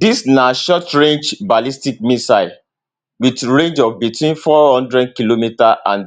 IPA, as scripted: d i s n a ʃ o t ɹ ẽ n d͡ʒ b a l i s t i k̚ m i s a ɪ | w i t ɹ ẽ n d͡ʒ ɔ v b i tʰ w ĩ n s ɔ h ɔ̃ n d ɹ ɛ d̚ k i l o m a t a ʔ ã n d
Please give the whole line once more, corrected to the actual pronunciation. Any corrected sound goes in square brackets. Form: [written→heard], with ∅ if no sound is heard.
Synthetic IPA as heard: d i s n a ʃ [o→ɔ] t ɹ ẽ n d͡ʒ b a l i s t i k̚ m i s a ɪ | w i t ɹ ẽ n d͡ʒ ɔ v b i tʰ w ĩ n [s→f] ɔ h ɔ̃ n d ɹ ɛ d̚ k i l o m [a→i] t a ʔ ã n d